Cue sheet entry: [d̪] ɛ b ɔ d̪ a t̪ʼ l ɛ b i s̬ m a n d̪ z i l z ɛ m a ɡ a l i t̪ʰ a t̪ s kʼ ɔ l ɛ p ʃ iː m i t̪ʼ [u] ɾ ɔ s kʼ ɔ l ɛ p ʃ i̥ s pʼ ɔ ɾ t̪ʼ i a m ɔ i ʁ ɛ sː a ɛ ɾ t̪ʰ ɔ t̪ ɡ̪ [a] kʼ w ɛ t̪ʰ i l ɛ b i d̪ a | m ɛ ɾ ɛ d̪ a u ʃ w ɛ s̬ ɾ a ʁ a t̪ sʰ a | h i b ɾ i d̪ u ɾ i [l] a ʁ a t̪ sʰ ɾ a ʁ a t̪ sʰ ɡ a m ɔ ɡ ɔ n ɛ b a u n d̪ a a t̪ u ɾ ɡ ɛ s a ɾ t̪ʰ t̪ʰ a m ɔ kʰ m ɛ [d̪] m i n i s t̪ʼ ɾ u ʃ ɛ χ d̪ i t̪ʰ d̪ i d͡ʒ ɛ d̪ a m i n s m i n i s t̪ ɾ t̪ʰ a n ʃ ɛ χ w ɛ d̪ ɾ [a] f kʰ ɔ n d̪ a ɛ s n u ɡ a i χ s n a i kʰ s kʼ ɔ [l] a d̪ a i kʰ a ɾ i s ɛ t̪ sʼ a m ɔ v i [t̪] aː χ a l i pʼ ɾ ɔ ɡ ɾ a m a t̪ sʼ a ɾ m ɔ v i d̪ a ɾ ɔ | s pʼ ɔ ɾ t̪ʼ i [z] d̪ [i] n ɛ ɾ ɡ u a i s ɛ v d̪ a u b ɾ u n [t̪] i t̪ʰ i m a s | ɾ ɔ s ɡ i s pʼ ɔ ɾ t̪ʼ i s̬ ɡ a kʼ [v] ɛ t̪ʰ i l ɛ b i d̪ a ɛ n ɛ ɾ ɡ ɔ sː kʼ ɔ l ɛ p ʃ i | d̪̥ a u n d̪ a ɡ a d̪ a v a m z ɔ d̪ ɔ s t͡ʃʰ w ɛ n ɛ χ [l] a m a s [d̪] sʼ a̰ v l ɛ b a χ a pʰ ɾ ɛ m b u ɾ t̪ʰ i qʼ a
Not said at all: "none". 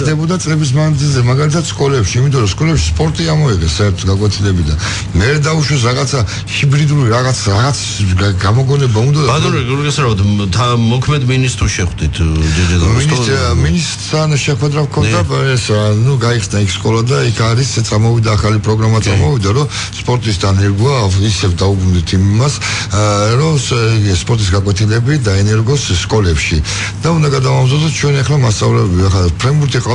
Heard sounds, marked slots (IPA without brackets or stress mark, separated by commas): d̪, ɔ, a, ɾ, d̪, a, l, d̪, s, a, d̪, w, l, t̪